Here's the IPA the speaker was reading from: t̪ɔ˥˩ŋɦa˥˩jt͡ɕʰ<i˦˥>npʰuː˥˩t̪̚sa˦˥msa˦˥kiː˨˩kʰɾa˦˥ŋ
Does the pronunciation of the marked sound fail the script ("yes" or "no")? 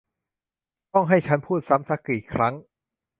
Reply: yes